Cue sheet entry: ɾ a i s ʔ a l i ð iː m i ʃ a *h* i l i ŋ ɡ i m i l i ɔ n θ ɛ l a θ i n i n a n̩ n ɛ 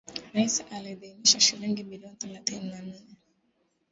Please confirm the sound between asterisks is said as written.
no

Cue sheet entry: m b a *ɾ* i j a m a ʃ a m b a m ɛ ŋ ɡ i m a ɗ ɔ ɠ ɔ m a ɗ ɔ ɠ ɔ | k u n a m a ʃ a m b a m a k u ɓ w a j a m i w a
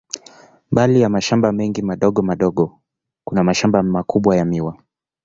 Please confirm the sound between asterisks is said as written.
no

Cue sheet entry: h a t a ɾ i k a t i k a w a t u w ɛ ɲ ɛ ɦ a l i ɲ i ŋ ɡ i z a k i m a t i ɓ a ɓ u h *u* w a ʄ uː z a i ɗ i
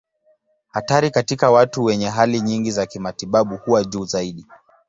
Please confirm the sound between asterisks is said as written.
yes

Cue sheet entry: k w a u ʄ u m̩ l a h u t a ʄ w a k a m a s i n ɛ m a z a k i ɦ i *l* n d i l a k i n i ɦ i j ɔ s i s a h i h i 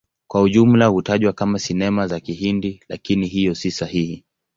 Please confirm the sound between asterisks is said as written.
no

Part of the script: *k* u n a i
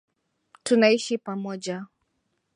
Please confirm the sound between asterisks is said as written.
no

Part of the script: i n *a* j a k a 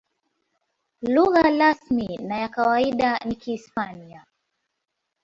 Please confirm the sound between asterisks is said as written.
yes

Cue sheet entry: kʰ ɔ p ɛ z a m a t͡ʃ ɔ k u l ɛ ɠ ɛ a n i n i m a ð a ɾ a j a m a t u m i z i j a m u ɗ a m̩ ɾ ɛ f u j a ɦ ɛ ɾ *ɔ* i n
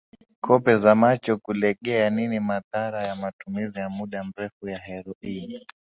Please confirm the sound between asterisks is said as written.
yes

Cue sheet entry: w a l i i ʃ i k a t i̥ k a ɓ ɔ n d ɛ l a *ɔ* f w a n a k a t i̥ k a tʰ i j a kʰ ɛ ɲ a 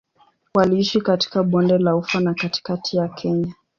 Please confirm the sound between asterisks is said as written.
no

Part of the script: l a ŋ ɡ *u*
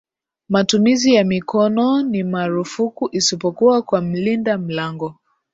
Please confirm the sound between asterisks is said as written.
no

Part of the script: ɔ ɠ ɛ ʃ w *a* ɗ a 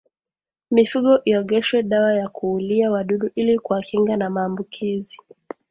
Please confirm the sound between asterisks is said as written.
no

